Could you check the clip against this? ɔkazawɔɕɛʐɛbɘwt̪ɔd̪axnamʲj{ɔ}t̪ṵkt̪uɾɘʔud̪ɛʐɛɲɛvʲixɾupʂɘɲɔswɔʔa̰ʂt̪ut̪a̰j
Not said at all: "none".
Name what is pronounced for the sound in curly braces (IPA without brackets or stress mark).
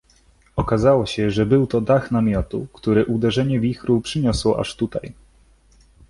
ɔ